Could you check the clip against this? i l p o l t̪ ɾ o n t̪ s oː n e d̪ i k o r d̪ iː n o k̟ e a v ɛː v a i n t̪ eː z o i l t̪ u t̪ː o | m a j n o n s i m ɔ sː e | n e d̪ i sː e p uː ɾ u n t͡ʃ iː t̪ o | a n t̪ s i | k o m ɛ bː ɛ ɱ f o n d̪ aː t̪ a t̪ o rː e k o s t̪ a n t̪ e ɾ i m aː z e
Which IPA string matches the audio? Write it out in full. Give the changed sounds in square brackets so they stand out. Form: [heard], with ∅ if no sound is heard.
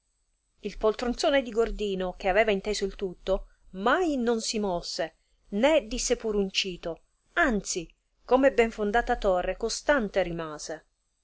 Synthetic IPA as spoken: i l p o l t̪ ɾ o n t̪ s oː n e d̪ i [ɡ] o r d̪ iː n o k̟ e a v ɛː v a i n t̪ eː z o i l t̪ u t̪ː o | m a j n o n s i m ɔ sː e | n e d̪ i sː e p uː ɾ u n t͡ʃ iː t̪ o | a n t̪ s i | k o m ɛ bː ɛ ɱ f o n d̪ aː t̪ a t̪ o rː e k o s t̪ a n t̪ e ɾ i m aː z e